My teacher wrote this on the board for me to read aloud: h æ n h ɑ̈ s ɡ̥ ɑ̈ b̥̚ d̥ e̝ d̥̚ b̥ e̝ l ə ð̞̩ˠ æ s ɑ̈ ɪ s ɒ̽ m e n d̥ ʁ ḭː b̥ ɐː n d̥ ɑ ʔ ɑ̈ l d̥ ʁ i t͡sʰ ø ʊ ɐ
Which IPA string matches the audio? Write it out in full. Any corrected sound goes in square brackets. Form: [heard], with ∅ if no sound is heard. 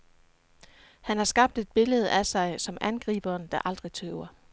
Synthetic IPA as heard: h æ n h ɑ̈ s ɡ̥ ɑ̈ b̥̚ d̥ e̝ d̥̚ b̥ e̝ l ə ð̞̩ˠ æ s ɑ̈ ɪ s ɒ̽ m [æ] n [ɡ̥] ʁ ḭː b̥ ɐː n d̥ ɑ ʔ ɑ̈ l d̥ ʁ i t͡sʰ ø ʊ ɐ